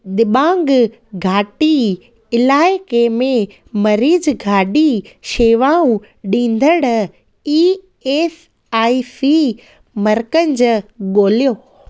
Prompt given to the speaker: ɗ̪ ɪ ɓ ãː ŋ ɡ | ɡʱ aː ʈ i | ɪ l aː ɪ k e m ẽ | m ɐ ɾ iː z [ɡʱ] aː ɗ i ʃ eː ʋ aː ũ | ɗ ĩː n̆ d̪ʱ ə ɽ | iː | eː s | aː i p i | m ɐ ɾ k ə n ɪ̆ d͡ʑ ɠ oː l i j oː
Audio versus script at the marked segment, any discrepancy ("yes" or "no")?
no